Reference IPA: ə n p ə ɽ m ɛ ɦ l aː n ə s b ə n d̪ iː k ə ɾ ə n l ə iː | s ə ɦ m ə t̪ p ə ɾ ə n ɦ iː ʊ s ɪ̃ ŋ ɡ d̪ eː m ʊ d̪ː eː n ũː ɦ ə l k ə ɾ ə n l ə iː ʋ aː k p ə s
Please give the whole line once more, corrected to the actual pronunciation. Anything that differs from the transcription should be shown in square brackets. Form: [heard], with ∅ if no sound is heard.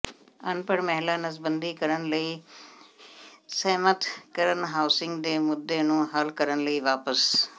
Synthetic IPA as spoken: ə n p ə ɽ m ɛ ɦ l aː n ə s b ə n d̪ iː k ə ɾ ə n l ə iː | s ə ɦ m ə t̪ [k] ə ɾ ə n ɦ [aː] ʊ s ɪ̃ ŋ ɡ d̪ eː m ʊ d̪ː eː n ũː ɦ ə l k ə ɾ ə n l ə iː ʋ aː [∅] p ə s